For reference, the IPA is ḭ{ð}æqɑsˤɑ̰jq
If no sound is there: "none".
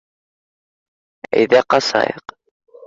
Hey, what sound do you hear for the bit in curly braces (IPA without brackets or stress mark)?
ð